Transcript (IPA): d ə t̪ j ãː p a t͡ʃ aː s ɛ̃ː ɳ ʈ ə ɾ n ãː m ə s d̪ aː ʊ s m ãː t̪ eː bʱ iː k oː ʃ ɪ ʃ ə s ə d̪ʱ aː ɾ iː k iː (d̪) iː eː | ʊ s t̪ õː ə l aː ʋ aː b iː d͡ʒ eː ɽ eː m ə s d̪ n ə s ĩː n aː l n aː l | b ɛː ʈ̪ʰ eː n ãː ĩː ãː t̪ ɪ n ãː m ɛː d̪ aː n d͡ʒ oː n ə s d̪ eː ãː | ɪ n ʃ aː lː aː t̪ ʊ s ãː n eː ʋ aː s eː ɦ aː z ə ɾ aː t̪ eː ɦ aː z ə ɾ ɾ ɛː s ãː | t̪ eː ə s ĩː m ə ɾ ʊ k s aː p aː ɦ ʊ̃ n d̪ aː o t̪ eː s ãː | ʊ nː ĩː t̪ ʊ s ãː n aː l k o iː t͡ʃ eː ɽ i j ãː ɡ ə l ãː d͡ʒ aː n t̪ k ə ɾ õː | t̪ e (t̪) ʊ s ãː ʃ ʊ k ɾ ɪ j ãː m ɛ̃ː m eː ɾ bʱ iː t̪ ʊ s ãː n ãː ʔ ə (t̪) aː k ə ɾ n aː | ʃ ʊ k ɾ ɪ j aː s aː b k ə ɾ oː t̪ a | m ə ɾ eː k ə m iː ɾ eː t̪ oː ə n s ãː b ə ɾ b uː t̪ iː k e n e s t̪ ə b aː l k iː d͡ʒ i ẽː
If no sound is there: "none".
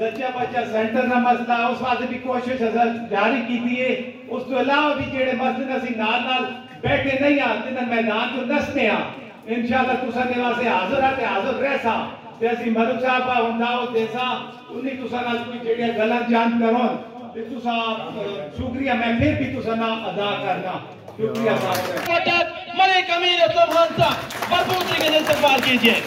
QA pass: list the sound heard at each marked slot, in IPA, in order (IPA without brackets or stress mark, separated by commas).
t̪, t̪, d̪